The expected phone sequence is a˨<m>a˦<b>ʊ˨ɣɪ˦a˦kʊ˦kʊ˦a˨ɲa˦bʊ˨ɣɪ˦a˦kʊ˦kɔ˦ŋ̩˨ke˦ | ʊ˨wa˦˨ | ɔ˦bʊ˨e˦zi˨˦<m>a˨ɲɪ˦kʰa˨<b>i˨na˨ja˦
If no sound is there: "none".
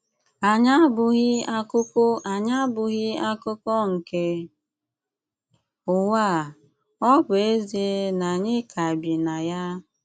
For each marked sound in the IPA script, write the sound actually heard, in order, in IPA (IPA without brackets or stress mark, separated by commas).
ɲ, b, n, b